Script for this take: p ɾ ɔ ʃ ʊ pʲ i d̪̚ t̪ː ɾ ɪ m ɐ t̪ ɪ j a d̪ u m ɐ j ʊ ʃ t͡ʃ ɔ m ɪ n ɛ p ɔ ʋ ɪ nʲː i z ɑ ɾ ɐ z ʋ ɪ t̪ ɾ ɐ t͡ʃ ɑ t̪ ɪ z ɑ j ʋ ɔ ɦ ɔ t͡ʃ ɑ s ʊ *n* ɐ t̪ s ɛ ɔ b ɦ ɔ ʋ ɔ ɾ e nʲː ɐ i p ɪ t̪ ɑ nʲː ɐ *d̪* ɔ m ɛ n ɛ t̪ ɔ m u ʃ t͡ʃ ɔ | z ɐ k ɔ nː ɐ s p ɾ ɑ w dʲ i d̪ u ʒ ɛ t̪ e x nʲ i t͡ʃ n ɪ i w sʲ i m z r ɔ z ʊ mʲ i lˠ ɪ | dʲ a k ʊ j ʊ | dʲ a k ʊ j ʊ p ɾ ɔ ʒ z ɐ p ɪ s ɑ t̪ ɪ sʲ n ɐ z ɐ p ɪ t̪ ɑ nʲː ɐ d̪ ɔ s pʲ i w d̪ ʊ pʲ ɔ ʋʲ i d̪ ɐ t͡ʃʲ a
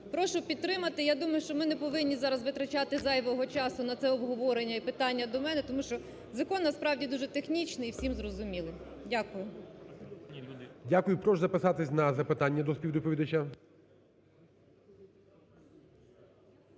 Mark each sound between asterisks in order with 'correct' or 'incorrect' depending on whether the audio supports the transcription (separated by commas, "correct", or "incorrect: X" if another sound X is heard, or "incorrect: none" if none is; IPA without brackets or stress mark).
correct, correct